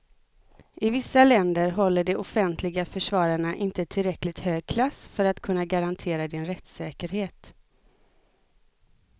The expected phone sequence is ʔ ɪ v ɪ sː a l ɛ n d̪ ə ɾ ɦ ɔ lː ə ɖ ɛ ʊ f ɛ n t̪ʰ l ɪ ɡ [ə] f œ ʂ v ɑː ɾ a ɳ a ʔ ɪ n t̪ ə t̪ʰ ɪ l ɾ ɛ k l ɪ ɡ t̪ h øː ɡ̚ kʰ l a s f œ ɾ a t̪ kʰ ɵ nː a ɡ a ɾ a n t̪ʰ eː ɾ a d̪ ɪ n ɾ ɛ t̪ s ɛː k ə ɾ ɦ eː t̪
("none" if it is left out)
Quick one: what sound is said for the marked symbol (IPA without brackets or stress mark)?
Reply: a